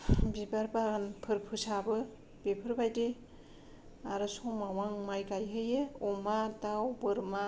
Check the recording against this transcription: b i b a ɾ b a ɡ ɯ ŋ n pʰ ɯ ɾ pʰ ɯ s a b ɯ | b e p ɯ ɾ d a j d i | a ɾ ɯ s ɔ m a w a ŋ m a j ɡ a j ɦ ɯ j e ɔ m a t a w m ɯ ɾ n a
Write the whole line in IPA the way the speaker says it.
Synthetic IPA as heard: b i b a ɾ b a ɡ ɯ n pʰ ɯ ɾ pʰ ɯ s a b ɯ | b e pʰ ɯ ɾ b a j d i | a ɾ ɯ s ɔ m a w a ŋ m a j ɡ a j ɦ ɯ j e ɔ m a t a w b ɯ ɾ m a